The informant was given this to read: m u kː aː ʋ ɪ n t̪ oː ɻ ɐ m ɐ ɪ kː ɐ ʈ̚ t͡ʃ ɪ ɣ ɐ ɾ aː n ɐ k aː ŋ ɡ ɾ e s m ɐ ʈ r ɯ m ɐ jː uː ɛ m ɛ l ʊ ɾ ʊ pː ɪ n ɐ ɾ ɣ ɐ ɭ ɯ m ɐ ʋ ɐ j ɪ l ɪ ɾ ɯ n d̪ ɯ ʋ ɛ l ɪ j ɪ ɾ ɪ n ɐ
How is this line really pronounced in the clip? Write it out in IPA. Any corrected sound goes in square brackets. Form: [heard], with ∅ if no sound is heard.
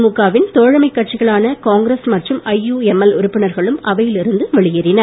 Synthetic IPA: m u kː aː ʋ ɪ n t̪ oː ɻ ɐ m ɐ ɪ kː ɐ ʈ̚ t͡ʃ ɪ ɣ ɐ [ɭ] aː n ɐ k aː ŋ ɡ ɾ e s m ɐ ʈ r ɯ m ɐ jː uː ɛ m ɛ l ʊ ɾ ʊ pː ɪ n ɐ ɾ ɣ ɐ ɭ ɯ m ɐ ʋ ɐ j ɪ l ɪ ɾ ɯ n d̪ ɯ ʋ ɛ [ɭ] ɪ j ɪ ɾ ɪ n ɐ

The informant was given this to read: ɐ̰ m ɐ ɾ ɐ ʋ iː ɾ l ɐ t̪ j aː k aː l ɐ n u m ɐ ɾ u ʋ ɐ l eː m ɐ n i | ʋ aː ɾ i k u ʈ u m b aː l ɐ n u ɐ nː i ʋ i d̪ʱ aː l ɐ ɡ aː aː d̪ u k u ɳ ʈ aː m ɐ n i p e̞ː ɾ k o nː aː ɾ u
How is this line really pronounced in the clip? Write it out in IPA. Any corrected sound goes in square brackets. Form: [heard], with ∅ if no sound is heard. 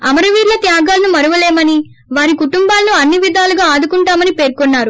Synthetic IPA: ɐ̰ m ɐ ɾ ɐ ʋ iː ɾ l ɐ t̪ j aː [ɡ] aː l ɐ n u m ɐ ɾ u ʋ ɐ l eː m ɐ n i | ʋ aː ɾ i k u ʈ u m b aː l ɐ n u ɐ nː i ʋ i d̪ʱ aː l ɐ ɡ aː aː d̪ u k u ɳ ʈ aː m ɐ n i p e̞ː ɾ k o nː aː ɾ u

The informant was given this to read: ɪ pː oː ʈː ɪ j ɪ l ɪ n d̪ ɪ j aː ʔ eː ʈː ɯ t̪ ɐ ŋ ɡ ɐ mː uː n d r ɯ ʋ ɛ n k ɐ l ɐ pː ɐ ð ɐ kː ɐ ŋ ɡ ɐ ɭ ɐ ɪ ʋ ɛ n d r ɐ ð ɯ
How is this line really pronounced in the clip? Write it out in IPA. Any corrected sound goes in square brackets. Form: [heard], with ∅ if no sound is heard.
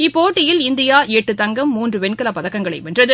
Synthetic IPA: ɪ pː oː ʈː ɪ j ɪ l ɪ n d̪ ɪ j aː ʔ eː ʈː ɯ t̪ ɐ ŋ ɡ ɐ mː uː n d r ɯ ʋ ɛ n k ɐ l ɐ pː ɐ ð ɐ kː ɐ ŋ ɡ ɐ ɭ ɐ ɪ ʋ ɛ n d r ɐ ð ɯ

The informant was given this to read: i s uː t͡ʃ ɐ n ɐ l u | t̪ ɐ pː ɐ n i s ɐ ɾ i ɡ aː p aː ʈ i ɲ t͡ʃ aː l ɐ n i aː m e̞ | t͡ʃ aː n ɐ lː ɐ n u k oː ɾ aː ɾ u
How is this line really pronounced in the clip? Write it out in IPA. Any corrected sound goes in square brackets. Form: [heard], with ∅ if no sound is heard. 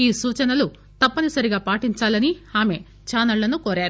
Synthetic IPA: [iː] s uː t͡ʃ ɐ n ɐ l u | t̪ ɐ pː ɐ n i s ɐ ɾ i ɡ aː p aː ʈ i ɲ t͡ʃ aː l ɐ n i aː m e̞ | t͡ʃ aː n ɐ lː ɐ n u k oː ɾ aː ɾ u

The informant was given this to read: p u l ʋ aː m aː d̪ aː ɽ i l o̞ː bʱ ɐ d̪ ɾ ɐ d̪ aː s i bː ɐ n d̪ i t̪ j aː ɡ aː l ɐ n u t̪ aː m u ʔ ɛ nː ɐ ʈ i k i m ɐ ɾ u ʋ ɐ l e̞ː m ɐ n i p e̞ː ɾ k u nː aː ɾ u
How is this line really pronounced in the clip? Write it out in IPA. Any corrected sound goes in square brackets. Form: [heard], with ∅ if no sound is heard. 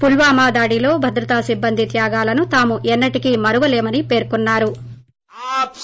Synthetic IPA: p u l ʋ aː m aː d̪ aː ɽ i l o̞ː bʱ ɐ d̪ ɾ ɐ [t̪] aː s i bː ɐ n d̪ i t̪ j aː ɡ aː l ɐ n u t̪ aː m u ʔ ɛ nː ɐ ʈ i k i m ɐ ɾ u ʋ ɐ l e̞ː m ɐ n i p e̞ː ɾ k u nː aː ɾ u

